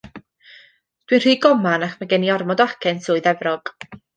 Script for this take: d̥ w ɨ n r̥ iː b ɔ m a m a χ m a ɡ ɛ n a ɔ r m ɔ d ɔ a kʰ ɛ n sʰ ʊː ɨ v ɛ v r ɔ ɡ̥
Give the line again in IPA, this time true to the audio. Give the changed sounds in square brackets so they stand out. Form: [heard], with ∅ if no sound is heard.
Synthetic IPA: d̥ w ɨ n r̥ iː [ɡ] ɔ m a [n] a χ m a ɡ ɛ n [i] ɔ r m ɔ d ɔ a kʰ ɛ n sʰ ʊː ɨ [ð] ɛ v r ɔ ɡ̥